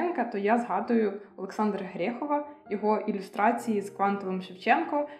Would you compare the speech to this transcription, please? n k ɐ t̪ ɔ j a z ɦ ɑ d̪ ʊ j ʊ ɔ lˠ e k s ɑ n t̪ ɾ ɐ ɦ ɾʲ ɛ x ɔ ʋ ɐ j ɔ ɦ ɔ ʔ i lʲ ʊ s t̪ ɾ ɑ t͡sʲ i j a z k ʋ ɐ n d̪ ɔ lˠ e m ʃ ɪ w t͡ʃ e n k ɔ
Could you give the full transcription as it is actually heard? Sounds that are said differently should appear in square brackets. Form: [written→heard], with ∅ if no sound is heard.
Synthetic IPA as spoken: n k ɐ t̪ ɔ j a z ɦ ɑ d̪ ʊ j ʊ ɔ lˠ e k s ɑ n [t̪→d̪] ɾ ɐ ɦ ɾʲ ɛ x ɔ ʋ ɐ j ɔ ɦ ɔ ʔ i lʲ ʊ s t̪ ɾ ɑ t͡sʲ i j [a→i] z k ʋ [ɐ→ɑ] n [d̪→t̪] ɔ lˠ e m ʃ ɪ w t͡ʃ [e→ɛ] n k ɔ